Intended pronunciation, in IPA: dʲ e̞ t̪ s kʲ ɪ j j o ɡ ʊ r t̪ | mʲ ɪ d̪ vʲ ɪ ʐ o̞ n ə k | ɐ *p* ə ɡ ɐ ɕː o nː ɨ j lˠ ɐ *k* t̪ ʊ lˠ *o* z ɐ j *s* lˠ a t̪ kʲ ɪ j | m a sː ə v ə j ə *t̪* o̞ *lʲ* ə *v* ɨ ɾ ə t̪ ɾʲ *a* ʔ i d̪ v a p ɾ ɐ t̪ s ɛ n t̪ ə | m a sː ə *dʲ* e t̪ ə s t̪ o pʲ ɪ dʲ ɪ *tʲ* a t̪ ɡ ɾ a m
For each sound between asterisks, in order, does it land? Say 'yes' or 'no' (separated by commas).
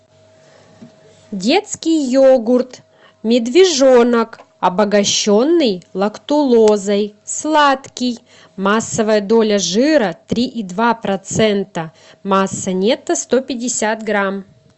no, yes, yes, yes, no, yes, no, no, no, no